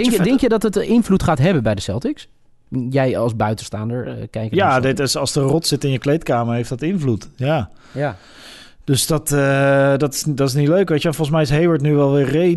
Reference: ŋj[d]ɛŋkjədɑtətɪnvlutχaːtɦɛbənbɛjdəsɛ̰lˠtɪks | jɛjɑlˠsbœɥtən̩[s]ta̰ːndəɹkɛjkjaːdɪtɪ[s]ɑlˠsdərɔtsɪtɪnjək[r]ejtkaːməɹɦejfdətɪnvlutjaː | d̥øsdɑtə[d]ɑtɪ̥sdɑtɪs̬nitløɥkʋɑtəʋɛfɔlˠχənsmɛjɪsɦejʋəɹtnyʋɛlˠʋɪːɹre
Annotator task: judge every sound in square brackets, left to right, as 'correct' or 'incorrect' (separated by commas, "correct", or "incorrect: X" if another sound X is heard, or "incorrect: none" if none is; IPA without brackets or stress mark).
correct, correct, correct, incorrect: l, correct